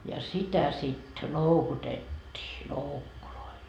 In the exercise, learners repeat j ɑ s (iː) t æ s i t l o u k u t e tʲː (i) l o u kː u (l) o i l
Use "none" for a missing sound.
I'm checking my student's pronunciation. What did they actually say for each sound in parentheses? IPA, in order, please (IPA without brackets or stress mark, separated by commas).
i, iː, l